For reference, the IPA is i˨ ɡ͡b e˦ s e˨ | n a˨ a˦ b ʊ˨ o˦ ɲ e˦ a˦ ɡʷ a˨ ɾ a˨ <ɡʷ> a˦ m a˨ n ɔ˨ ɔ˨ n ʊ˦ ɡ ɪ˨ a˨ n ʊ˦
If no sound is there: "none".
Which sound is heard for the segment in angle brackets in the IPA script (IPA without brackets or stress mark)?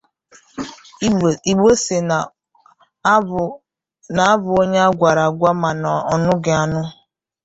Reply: ɡʷ